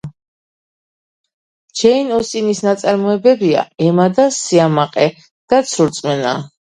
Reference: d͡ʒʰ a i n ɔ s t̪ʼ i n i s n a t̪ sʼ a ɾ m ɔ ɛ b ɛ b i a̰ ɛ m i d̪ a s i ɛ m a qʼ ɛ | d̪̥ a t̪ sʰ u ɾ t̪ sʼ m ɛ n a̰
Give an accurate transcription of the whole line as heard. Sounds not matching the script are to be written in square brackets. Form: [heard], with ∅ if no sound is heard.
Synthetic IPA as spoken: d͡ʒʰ [ɛ] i n ɔ s t̪ʼ i n i s n a t̪ sʼ a ɾ m ɔ ɛ b ɛ b i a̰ ɛ m [a] d̪ a s i [a] m a qʼ ɛ | d̪̥ a t̪ sʰ u ɾ t̪ sʼ m ɛ n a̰

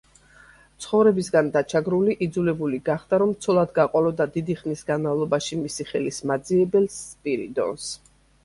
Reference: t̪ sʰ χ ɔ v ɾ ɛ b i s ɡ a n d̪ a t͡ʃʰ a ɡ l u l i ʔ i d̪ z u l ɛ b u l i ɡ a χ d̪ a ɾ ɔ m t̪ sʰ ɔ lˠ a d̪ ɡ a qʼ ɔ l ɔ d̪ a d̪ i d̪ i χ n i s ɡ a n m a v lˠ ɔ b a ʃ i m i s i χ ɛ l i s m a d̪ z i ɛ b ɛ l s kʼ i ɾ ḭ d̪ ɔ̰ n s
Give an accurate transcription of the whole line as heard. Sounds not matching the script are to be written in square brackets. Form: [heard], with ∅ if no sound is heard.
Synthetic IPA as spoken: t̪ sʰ χ ɔ v ɾ ɛ b i s ɡ a n d̪ a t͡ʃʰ a ɡ [ɾ] u l i ʔ i d̪ z u l ɛ b u l i ɡ a χ d̪ a ɾ ɔ m t̪ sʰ ɔ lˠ a d̪ ɡ a qʼ ɔ l ɔ d̪ a d̪ i d̪ i χ n i s ɡ a n m a v lˠ ɔ b a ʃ i m i s i χ ɛ l i s m a d̪ z i ɛ b ɛ l s [pʼ] i ɾ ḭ d̪ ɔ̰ n s

